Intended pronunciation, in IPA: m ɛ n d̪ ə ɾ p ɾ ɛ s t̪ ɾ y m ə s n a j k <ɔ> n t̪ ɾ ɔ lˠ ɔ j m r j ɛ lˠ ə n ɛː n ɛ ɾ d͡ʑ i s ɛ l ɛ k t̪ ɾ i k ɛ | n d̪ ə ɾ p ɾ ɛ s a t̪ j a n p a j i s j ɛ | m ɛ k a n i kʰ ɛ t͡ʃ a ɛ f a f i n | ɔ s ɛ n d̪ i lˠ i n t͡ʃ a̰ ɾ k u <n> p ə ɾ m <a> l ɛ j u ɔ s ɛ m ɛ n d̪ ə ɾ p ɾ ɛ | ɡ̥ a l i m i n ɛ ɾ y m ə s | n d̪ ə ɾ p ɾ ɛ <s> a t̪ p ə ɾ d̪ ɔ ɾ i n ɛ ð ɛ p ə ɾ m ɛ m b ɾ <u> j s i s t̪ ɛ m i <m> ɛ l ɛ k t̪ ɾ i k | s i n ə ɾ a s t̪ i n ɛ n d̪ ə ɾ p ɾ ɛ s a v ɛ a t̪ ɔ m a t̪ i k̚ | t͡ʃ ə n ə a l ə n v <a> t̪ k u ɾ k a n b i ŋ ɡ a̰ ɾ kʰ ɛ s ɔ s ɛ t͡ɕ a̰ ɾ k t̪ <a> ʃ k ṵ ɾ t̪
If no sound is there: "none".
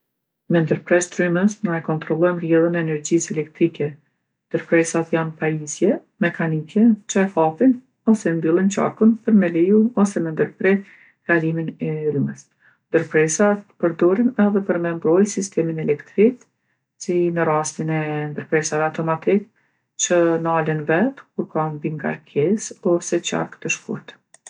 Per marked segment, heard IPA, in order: ɔ, n, ɛ, s, ɔ, n, ɛ, ə

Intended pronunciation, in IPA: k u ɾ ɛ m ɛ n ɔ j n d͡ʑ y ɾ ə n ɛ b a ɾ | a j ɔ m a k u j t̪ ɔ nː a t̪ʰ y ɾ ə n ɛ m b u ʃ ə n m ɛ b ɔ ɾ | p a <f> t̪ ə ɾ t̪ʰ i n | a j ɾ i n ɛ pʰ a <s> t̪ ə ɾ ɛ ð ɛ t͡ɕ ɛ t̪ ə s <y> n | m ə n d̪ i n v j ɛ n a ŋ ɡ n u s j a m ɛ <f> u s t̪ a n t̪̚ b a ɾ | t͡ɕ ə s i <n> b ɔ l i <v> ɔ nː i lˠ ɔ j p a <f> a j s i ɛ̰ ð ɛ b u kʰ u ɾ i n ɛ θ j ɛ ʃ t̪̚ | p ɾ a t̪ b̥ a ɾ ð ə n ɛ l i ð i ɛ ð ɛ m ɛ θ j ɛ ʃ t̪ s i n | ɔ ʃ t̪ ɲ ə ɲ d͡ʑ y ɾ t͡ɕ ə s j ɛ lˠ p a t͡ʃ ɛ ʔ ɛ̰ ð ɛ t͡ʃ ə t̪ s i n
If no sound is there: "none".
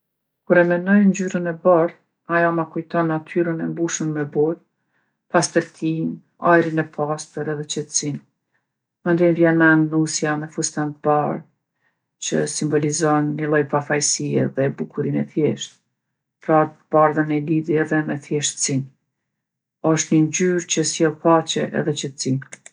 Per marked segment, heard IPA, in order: s, s, i, f, m, z, f

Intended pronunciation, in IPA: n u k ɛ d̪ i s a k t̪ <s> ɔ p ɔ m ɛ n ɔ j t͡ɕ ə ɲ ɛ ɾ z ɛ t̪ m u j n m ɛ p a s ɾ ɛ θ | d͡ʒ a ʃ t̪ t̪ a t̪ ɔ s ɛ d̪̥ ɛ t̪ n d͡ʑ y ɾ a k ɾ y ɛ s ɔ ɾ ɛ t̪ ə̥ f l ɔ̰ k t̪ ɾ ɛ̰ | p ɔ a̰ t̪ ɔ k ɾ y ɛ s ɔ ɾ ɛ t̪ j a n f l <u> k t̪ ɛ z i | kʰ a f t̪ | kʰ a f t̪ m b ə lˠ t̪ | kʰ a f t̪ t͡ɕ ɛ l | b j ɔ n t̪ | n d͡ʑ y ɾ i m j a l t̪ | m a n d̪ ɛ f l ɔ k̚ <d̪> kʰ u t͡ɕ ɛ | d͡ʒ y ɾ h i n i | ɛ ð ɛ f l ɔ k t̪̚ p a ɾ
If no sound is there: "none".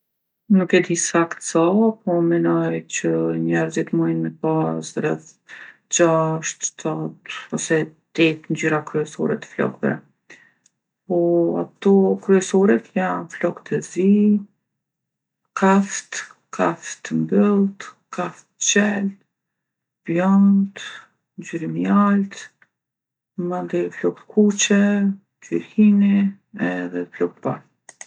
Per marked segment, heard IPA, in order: s, ɔ, t̪

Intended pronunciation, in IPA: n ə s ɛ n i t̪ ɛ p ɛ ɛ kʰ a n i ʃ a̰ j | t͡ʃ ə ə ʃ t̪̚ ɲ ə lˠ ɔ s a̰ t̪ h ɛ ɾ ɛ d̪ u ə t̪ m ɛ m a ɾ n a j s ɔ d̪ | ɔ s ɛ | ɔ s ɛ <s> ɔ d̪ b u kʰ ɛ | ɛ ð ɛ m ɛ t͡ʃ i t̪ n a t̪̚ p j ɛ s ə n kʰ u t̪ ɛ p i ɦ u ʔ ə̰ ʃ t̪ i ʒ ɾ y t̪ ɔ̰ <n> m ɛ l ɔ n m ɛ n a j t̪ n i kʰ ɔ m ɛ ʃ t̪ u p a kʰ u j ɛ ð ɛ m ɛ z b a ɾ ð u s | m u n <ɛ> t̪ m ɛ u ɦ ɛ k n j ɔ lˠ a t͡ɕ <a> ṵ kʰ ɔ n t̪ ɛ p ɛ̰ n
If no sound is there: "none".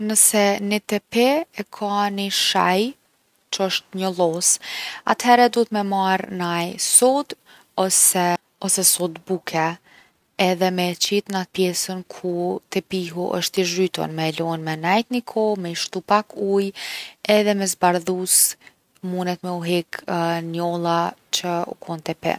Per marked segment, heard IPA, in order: s, n, ɛ, ə

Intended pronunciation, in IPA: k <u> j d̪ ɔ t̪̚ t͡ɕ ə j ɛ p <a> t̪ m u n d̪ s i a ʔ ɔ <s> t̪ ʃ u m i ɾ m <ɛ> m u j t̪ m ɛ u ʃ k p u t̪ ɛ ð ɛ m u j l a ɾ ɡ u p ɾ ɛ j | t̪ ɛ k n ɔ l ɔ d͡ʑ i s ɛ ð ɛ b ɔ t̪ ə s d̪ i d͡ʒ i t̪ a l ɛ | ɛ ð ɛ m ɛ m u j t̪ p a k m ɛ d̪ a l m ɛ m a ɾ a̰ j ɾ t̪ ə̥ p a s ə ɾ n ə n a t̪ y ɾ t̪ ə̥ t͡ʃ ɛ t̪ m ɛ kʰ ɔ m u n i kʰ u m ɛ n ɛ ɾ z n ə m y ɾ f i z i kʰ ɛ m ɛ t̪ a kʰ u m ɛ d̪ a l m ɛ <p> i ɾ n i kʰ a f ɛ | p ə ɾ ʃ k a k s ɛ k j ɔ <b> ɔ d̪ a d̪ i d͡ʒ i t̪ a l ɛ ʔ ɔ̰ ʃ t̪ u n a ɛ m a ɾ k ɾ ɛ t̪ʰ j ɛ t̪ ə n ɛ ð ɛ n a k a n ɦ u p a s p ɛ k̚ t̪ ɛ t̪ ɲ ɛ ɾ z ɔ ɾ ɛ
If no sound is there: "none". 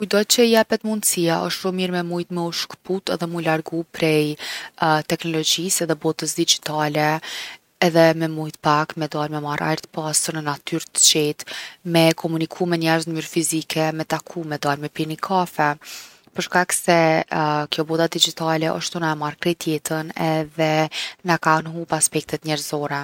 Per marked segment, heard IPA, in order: u, ɛ, ʃ, ɛ, p, b

